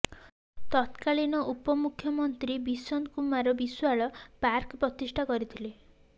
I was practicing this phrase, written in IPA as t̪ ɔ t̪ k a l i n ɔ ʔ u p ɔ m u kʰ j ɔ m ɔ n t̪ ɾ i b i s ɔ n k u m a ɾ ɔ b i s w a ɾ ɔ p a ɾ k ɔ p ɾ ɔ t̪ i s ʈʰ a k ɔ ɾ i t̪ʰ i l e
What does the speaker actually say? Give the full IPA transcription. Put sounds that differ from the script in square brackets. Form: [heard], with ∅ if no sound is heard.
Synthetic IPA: t̪ ɔ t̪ k a l i n ɔ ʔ u p ɔ m u kʰ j ɔ m ɔ n t̪ ɾ i b i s ɔ n k u m a ɾ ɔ b i s w a [ɭ] ɔ p a ɾ k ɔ p ɾ ɔ t̪ i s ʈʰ a k ɔ ɾ i t̪ʰ i l e